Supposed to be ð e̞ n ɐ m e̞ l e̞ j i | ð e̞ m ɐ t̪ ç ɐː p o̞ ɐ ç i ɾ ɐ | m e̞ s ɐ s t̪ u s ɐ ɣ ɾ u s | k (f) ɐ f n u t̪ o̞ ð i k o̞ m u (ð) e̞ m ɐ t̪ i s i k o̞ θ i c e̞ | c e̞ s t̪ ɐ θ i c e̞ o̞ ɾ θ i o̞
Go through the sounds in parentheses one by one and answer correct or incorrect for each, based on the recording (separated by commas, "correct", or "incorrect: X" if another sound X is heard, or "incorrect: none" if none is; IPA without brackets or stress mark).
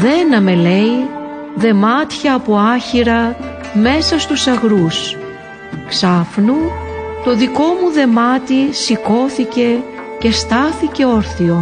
incorrect: s, correct